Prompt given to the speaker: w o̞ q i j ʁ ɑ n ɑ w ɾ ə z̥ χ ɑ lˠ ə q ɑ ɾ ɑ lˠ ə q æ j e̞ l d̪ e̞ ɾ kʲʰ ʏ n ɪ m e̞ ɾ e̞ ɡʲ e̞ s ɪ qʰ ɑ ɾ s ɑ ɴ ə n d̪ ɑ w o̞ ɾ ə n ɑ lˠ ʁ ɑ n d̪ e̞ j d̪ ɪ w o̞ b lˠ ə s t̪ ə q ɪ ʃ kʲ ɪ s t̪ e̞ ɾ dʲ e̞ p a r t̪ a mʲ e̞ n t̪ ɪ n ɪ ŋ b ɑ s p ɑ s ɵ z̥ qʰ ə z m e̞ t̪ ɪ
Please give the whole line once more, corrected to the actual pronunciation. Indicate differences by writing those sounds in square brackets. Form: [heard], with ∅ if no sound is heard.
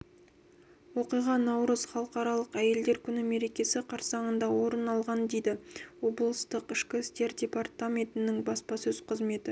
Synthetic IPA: w o̞ q i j ʁ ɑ n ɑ w ɾ ə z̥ χ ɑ lˠ ə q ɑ ɾ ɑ lˠ ə q æ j e̞ l d̪ e̞ ɾ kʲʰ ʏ n ɪ m e̞ ɾ e̞ [kʲ] e̞ s ɪ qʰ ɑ ɾ s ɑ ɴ ə n d̪ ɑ w o̞ ɾ ə n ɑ lˠ ʁ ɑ n d̪ e̞ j d̪ ɪ w o̞ b lˠ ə s t̪ ə q ɪ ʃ kʲ ɪ s t̪ e̞ ɾ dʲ e̞ p a r t̪ a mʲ e̞ n t̪ ɪ n ɪ ŋ b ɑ s p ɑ s ɵ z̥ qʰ ə z m e̞ t̪ ɪ